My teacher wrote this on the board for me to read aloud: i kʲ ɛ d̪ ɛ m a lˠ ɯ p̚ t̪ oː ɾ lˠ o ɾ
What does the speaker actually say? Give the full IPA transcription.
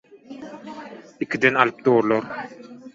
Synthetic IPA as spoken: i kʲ i d̪ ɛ n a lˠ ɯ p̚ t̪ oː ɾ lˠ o ɾ

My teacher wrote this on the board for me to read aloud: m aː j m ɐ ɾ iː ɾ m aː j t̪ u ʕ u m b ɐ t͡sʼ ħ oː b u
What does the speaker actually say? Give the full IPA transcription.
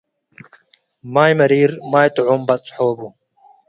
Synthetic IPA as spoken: m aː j m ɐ ɾ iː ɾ m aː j t̪ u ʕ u m b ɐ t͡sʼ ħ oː b u

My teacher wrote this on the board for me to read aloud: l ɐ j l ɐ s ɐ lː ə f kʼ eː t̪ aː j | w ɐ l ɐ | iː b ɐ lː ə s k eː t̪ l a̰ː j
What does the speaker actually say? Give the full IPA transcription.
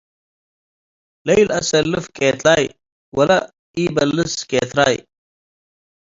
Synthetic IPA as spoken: l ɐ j l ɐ s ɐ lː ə f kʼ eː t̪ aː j | w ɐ l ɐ | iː b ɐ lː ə s k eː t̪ ɾ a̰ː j

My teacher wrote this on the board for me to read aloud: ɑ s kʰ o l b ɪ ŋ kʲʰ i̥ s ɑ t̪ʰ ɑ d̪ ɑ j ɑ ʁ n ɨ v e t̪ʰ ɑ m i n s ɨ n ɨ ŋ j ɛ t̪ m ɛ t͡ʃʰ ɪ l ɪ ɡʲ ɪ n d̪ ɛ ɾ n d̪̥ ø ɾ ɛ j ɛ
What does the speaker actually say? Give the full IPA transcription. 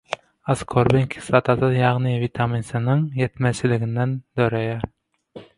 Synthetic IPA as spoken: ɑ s kʰ o ɾ b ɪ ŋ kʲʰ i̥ s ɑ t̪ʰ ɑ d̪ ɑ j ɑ ʁ n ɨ v i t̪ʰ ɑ m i n s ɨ n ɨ ŋ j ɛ t̪ m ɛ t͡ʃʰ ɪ l ɪ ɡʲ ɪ n d̪ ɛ n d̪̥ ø ɾ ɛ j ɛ

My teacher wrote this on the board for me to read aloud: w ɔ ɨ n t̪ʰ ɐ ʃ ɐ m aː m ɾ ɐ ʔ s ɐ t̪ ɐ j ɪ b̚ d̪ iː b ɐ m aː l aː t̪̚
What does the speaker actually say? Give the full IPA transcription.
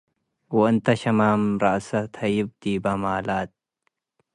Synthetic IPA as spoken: w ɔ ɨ n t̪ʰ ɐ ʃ ɐ m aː m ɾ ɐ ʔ s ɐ t̪ʰ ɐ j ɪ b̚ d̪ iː b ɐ m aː l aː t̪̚

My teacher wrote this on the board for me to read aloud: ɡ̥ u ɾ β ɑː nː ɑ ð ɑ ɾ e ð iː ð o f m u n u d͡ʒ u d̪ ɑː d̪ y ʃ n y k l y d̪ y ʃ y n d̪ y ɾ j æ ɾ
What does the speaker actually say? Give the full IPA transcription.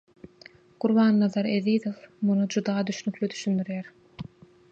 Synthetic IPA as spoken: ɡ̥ u ɾ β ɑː nː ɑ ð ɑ ɾ e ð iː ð o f m u n u d͡ʒ u d̪ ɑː d̪ y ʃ n y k l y d̪ y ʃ y n d̪ y ɾ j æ ɾ

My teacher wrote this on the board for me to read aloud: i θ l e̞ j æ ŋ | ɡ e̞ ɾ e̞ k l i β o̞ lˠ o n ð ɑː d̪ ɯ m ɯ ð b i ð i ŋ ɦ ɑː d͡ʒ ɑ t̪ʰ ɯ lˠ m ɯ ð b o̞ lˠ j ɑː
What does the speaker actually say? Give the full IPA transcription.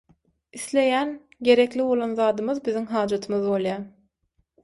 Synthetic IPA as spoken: i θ l e̞ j æ n | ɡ e̞ ɾ e̞ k l i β o̞ lˠ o n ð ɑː d̪ ɯ m ɯ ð b i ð i ŋ ɦ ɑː d͡ʒ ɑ t̪ʰ ɯ m ɯ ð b o̞ lˠ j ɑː

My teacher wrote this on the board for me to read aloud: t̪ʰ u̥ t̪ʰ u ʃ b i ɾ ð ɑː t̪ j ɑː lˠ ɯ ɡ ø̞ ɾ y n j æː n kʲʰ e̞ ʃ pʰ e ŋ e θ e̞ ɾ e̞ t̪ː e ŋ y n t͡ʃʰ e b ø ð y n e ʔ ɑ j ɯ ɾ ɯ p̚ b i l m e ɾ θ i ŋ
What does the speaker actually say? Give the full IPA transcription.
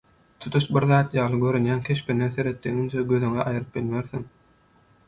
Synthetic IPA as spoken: t̪ʰ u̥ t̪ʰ u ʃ b i ɾ ð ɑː t̪ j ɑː lˠ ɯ ɡ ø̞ ɾ y n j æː n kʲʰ e̞ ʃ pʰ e n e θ e̞ ɾ e̞ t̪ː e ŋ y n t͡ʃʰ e ɡ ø ð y ŋ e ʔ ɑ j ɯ ɾ ɯ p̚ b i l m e ɾ θ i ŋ

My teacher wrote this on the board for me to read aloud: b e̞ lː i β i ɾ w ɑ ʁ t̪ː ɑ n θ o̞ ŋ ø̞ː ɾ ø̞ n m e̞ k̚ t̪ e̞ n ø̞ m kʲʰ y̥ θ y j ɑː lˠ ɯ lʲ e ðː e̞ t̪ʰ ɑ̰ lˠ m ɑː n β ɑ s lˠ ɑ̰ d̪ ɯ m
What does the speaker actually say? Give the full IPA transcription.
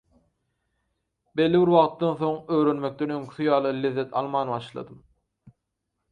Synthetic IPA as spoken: b e̞ lː i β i ɾ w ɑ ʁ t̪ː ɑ n θ o̞ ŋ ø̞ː ɾ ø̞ n m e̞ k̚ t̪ e̞ n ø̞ ŋ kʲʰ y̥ θ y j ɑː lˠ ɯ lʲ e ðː e̞ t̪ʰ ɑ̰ lˠ m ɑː n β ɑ ʃ lˠ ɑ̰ d̪ ɯ m

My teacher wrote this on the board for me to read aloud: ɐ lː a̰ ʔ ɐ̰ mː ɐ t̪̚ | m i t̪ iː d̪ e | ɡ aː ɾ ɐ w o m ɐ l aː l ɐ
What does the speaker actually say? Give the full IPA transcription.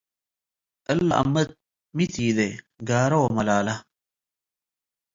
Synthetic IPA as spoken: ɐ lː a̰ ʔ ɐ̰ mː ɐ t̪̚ | m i t̪ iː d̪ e | ɡ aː ɾ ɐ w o m ɐ l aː l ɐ

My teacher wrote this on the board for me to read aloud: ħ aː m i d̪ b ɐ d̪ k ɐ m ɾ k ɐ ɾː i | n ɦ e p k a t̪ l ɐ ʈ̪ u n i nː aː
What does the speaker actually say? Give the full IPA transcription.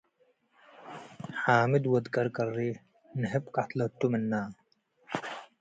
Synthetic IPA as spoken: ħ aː m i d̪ w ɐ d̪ k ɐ ɾ k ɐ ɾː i | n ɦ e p k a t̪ l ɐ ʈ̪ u m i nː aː

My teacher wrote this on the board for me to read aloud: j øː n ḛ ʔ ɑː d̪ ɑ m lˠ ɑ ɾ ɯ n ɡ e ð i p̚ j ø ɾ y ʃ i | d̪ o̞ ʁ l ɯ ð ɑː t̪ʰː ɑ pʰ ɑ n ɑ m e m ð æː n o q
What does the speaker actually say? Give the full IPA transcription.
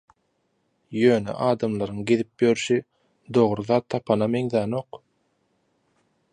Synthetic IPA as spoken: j øː n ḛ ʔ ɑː d̪ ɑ m lˠ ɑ ɾ ɯ ŋ ɡ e ð i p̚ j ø ɾ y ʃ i | d̪ o̞ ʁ ɾ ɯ ð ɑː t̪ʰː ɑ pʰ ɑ n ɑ m e ŋ ð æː n o q

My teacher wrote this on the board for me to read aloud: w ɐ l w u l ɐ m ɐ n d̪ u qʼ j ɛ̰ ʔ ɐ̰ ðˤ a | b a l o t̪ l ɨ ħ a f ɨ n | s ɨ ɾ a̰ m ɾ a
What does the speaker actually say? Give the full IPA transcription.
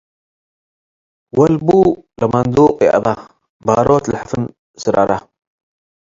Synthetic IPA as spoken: w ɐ l b u l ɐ m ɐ n d̪ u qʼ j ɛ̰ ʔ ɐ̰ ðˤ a | b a ɾ o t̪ l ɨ ħ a f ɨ n | s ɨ ɾ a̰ ɾ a

